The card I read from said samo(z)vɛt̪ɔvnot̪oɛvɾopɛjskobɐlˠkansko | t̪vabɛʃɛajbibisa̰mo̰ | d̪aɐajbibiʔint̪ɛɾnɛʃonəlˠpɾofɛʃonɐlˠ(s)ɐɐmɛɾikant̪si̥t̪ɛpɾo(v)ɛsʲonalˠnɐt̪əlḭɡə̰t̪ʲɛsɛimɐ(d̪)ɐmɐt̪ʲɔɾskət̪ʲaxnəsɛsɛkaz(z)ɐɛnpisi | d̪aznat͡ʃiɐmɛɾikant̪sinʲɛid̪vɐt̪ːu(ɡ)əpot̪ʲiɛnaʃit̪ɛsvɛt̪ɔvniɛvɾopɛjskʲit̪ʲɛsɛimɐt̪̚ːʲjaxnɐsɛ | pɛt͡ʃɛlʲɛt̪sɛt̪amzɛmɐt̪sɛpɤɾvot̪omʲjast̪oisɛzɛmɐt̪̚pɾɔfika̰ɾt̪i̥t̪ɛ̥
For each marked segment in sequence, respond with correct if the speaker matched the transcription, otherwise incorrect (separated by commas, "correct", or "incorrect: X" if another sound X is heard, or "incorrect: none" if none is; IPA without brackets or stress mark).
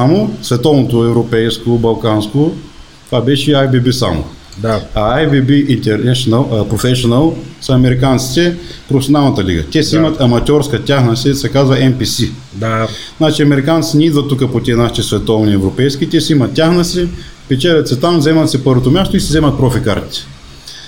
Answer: incorrect: s, correct, incorrect: f, incorrect: t̪, incorrect: v, incorrect: k